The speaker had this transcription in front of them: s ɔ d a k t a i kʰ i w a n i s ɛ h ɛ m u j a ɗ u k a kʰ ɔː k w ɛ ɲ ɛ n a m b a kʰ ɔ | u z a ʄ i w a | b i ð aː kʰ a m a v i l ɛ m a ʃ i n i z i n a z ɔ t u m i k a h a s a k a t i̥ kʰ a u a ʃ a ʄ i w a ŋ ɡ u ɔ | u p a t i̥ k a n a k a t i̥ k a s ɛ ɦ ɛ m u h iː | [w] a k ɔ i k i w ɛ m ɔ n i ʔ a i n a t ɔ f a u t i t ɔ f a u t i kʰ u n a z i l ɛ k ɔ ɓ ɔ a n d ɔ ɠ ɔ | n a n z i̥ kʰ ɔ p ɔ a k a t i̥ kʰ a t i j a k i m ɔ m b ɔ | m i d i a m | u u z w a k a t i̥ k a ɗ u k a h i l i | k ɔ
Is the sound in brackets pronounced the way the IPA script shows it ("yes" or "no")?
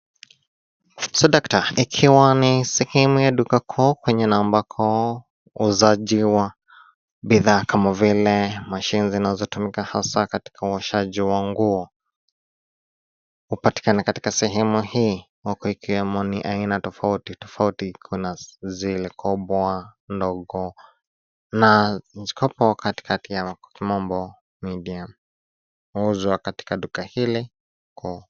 yes